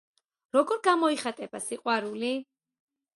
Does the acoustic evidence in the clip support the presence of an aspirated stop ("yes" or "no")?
no